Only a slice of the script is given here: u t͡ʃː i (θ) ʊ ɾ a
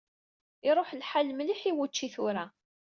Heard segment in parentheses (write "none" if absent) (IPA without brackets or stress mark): θ